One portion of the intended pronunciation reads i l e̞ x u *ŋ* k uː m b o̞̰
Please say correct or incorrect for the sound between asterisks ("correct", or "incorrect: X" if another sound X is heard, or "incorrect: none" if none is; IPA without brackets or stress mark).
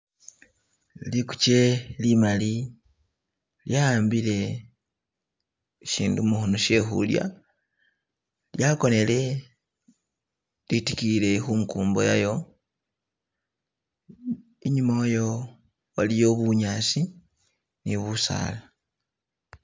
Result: correct